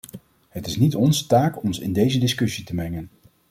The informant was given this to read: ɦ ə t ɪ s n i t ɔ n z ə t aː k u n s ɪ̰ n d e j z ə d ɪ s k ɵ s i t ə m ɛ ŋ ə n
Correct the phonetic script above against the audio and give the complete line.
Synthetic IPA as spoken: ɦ ə t ɪ s n i t ɔ n z ə t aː k ɔ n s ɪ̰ n d e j z ə d ɪ s k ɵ s i t ə m ɛ ŋ ə n